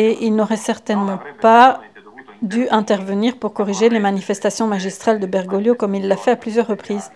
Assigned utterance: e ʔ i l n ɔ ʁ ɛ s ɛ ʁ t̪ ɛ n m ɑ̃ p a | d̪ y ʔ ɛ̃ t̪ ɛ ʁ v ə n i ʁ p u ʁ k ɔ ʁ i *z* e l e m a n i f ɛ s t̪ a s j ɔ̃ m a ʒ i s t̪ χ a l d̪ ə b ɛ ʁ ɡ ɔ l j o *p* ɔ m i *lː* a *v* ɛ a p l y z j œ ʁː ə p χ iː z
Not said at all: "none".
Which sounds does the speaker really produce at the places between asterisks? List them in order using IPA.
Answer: ʒ, k, lː, f

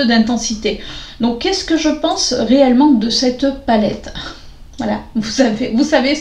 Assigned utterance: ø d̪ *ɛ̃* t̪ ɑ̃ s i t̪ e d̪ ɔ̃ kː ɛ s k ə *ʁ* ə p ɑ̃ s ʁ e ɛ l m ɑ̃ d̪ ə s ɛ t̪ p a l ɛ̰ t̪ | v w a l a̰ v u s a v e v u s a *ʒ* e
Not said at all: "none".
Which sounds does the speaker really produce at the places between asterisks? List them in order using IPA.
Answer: ɛ̃, ʒ, v

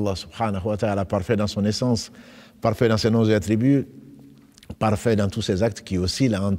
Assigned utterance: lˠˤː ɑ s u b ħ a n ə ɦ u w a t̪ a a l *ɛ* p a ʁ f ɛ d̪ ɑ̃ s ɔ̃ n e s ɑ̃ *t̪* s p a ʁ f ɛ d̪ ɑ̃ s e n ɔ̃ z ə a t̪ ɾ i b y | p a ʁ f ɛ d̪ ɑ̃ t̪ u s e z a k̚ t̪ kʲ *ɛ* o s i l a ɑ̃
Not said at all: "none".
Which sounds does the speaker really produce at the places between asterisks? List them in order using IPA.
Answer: a, none, i

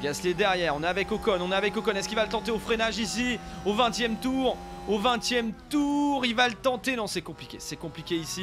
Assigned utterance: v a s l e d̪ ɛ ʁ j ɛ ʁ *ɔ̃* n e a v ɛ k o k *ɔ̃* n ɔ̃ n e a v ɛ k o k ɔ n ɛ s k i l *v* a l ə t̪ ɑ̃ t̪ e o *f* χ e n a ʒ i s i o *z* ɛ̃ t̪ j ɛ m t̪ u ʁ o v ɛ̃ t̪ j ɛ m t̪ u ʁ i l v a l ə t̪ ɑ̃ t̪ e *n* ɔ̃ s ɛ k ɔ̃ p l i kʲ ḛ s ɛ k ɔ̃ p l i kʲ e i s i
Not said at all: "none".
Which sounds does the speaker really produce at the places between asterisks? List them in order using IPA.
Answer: ɔ̃, ɔ, v, f, v, n

